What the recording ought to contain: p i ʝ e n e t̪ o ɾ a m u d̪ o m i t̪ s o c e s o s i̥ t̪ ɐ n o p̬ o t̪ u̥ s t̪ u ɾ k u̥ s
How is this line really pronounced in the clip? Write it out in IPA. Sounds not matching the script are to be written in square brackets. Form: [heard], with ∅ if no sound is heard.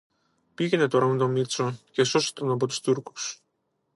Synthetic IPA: p i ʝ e n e t̪ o ɾ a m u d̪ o m i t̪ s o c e s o s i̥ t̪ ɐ n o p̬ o t̪ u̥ s t̪ u ɾ k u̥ s